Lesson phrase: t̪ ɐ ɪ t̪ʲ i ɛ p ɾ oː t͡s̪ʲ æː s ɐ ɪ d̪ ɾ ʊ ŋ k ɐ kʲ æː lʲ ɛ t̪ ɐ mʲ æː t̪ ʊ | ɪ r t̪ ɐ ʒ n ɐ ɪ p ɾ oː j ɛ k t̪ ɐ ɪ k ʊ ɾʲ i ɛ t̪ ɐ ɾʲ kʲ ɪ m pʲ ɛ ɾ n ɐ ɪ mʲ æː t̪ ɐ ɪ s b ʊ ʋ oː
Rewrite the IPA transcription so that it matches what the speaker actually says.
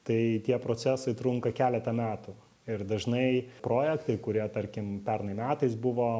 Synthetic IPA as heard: t̪ ɐ ɪ t̪ʲ i ɛ p ɾ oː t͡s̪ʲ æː s ɐ ɪ t̪ ɾ ʊ ŋ k ɐ kʲ æː lʲ ɛ t̪ ɐ mʲ æː t̪ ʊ | ɪ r d̪ ɐ ʒ n ɐ ɪ p ɾ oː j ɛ k t̪ ɐ ɪ k ʊ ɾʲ i ɛ t̪ ɐ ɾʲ kʲ ɪ m pʲ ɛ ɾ n ɐ ɪ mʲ æː t̪ ɐ ɪ s b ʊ ʋ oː